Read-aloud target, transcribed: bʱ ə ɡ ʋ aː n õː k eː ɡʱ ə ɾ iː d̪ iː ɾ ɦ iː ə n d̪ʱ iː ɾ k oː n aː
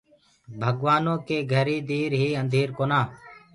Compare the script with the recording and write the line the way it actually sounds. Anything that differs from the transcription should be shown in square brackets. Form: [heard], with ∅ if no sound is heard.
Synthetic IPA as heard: bʱ ə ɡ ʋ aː n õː k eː ɡʱ ə ɾ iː d̪ iː ɾ ɦ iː ə n d̪ʱ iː ɾ k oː n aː

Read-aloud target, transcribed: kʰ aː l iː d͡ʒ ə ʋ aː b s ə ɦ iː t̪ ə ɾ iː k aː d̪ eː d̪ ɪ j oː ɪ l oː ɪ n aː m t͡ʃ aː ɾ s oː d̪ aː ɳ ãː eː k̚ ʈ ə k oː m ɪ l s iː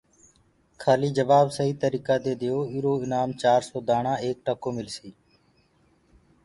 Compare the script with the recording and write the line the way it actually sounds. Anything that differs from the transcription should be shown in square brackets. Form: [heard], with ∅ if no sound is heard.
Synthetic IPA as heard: kʰ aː l iː d͡ʒ ə ʋ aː b s ə ɦ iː t̪ ə ɾ iː k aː d̪ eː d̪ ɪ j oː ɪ [ɾ] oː ɪ n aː m t͡ʃ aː ɾ s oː d̪ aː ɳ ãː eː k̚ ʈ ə k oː m ɪ l s iː

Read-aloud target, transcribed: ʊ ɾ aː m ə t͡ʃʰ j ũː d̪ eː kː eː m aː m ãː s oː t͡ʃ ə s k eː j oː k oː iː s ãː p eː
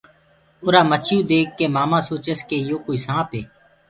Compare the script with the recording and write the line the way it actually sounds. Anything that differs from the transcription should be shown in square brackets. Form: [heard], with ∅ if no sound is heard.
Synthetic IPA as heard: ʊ ɾ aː m ə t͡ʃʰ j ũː d̪ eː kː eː m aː m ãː s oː t͡ʃ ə s k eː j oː k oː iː s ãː p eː

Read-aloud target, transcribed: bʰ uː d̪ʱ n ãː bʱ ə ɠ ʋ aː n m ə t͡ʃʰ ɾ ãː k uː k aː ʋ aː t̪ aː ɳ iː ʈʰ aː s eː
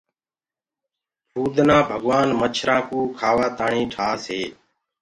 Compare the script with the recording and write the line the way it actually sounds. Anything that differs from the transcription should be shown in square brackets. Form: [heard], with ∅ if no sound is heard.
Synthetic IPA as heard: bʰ uː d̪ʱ n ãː bʱ ə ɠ ʋ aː n m ə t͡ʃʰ ɾ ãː k uː [kʰ] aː ʋ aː t̪ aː ɳ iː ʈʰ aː s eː

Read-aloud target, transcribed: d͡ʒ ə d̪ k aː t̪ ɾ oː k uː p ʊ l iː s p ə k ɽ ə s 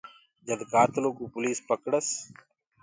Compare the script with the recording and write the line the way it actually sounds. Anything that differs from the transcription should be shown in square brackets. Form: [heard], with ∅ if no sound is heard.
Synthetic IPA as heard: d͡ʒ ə d̪ k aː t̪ [l] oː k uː p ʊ l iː s p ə k ɽ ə s

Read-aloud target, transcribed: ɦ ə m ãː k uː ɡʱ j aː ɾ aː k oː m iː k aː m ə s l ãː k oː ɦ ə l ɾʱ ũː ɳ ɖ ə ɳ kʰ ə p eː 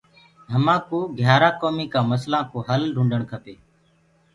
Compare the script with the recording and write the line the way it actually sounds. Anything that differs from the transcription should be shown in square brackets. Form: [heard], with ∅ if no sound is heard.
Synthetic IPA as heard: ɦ ə m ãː k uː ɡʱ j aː ɾ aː k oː m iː k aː m ə s l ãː k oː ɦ ə l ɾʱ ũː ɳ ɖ ə ɳ kʰ ə p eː

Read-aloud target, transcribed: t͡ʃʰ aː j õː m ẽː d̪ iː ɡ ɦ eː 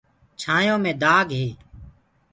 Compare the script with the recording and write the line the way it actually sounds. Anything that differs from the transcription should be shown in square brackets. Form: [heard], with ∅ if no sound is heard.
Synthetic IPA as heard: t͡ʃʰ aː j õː m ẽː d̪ [aː] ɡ ɦ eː

